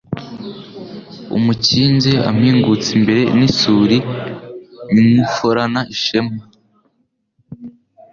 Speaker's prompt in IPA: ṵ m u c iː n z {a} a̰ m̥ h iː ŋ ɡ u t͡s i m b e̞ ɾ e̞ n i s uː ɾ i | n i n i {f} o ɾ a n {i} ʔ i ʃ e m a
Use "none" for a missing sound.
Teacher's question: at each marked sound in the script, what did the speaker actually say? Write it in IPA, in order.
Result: e, f, a

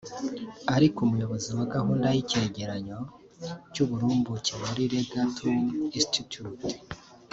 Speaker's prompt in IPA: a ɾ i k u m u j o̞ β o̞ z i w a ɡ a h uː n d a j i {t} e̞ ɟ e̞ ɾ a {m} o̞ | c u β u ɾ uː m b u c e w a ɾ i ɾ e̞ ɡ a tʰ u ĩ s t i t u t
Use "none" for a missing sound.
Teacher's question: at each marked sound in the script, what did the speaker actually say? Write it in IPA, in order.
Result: c, ɲ

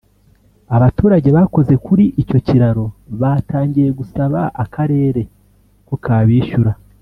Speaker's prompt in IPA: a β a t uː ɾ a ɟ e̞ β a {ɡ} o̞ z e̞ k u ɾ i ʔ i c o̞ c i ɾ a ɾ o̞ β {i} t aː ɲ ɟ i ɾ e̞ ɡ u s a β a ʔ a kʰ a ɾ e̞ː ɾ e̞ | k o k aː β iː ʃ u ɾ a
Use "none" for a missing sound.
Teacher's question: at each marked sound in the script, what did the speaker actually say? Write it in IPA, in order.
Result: k, a

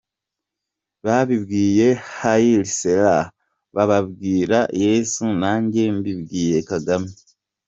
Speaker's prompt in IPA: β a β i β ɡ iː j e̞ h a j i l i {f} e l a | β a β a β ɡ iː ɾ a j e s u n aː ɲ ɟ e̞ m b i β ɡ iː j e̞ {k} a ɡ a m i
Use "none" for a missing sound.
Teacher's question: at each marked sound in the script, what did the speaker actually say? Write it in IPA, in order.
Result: s, k

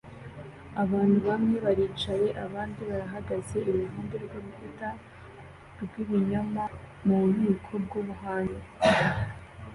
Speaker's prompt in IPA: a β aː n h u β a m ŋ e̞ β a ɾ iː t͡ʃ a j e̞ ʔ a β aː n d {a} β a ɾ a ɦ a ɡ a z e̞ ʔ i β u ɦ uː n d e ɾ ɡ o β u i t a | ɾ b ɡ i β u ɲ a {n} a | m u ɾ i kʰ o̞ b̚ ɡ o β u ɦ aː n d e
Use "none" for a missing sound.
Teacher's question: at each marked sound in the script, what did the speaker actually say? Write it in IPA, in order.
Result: i, m

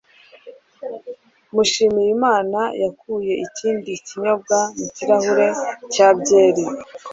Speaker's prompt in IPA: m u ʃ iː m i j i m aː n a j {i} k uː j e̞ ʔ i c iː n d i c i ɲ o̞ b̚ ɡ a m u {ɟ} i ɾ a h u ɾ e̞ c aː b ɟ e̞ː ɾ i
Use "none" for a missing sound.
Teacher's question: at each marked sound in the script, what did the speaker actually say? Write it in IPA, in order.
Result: a, c

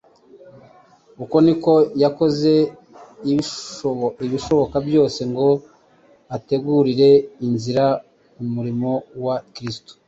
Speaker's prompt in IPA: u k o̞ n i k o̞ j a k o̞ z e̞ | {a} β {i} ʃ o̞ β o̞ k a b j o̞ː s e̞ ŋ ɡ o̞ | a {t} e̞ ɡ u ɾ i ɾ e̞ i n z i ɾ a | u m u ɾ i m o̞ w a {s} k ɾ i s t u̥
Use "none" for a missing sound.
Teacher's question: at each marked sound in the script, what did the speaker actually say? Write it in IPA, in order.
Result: i, i, t, none

